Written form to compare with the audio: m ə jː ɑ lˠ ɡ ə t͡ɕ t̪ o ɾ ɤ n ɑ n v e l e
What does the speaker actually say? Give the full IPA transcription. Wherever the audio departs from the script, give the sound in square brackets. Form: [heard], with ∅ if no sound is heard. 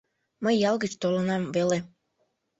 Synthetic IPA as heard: m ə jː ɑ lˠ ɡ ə t͡ɕ t̪ o [l] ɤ n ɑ [m] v e l e